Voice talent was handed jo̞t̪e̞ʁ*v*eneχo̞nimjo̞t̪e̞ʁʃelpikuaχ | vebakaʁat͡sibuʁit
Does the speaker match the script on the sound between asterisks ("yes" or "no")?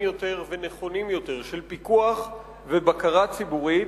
yes